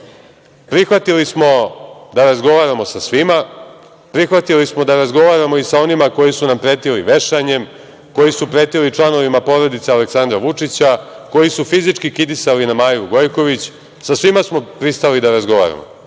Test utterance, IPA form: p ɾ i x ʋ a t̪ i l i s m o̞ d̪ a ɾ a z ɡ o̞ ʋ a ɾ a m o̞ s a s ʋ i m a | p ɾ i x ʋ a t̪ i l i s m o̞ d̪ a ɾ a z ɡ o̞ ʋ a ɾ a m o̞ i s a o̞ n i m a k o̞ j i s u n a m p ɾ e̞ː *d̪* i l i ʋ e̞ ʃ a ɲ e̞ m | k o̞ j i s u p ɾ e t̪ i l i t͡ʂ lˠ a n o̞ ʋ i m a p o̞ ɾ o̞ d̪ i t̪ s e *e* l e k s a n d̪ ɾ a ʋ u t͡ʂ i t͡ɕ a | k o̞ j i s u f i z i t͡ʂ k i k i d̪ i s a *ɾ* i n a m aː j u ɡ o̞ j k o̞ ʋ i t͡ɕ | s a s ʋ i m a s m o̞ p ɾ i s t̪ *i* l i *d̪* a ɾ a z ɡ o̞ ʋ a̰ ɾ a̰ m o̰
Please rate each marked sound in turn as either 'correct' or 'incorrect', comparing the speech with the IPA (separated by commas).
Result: incorrect, incorrect, incorrect, incorrect, correct